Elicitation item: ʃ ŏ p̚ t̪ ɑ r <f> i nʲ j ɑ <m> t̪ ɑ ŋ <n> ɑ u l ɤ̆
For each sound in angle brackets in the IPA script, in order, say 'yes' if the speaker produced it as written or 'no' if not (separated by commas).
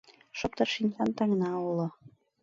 no, no, yes